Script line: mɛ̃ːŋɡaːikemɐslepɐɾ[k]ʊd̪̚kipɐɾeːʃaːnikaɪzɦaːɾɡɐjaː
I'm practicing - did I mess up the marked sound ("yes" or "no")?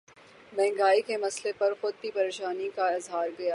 yes